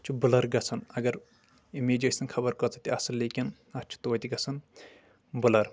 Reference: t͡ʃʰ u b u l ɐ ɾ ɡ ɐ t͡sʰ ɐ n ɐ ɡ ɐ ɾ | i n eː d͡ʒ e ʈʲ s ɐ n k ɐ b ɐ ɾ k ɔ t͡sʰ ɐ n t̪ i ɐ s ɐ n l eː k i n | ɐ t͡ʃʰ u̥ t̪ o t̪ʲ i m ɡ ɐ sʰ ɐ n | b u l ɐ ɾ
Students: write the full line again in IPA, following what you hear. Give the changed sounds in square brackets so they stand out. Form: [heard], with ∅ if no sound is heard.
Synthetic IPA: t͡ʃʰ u b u l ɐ ɾ ɡ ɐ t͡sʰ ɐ n ɐ ɡ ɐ ɾ | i [m] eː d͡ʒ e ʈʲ s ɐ n [kʰ] ɐ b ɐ ɾ k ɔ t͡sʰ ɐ [∅] t̪ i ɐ s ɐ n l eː k i n | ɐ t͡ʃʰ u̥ t̪ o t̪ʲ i [∅] ɡ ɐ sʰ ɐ n | b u l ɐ ɾ